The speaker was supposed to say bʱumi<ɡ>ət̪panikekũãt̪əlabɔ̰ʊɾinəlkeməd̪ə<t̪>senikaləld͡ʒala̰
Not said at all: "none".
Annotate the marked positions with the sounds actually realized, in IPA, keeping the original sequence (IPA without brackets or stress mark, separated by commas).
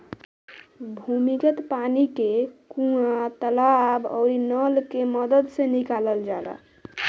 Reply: k, d̪